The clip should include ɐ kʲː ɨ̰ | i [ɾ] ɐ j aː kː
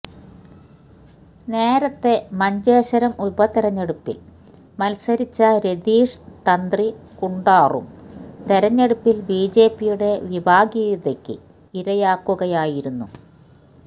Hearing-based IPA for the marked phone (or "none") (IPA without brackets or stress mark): ɾ